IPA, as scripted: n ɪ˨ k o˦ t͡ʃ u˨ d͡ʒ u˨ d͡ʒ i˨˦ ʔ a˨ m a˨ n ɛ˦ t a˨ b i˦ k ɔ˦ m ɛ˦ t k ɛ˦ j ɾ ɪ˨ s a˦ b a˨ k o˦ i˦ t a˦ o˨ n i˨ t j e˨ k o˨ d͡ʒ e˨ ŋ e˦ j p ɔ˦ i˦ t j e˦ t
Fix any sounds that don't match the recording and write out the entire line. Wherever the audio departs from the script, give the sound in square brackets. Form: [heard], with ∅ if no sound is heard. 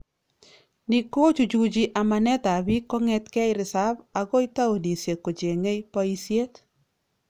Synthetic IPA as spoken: n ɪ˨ k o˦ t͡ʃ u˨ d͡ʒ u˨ d͡ʒ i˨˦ ʔ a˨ m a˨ n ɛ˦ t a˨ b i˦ k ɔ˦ [ŋ] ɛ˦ t k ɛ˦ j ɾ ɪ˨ s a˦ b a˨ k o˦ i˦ t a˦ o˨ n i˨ [s] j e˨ k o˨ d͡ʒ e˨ ŋ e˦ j p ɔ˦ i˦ [s] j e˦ t